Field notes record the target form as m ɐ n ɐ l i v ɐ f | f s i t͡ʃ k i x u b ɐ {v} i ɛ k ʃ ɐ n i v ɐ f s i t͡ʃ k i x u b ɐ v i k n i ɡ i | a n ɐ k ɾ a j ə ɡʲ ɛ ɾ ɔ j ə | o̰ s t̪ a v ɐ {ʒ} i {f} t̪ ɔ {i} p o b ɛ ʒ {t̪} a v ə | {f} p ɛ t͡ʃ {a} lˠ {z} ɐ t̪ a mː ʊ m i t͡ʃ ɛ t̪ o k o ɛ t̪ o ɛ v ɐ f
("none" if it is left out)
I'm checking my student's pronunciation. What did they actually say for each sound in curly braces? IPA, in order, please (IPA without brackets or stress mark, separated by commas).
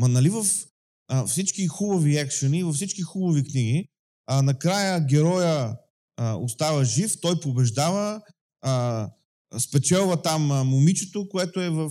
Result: v, ʒ, f, j, d̪, s, ɛ, v